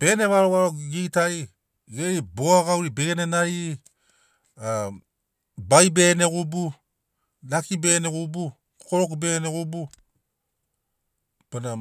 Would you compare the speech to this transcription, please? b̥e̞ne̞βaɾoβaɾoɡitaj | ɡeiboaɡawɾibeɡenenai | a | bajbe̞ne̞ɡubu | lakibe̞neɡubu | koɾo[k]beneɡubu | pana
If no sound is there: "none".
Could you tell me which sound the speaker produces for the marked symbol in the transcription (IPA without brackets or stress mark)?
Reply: k